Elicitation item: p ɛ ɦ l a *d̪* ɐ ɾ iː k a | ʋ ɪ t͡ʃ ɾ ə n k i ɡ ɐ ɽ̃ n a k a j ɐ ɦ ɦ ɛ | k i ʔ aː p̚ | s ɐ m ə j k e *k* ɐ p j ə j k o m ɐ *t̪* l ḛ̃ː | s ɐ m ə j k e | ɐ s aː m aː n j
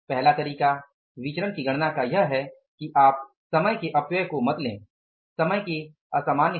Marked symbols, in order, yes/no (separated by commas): no, no, yes